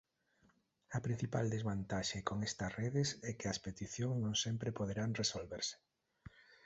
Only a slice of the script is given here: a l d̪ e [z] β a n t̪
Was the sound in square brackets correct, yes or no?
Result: yes